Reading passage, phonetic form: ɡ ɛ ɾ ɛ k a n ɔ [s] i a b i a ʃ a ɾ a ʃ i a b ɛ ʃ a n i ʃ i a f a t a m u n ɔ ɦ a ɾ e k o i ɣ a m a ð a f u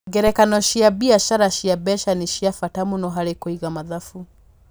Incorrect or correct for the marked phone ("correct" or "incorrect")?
incorrect